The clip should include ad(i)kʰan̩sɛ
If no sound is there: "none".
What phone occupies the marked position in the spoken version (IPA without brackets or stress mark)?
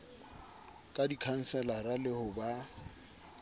i